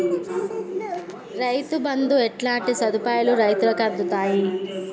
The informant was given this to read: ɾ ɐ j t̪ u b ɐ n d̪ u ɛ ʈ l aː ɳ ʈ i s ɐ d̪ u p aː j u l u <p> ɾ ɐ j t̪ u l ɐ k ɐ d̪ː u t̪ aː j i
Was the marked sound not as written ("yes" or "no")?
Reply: yes